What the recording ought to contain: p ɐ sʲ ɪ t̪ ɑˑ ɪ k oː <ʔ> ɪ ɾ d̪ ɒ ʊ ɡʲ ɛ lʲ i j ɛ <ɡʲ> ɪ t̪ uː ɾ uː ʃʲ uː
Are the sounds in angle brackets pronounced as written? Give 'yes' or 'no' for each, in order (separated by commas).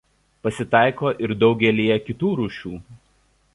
yes, no